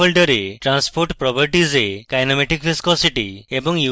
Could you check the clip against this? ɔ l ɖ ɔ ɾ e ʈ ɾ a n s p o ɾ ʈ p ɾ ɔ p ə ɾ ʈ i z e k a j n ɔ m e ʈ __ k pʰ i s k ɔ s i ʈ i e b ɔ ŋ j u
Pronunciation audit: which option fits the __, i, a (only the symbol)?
i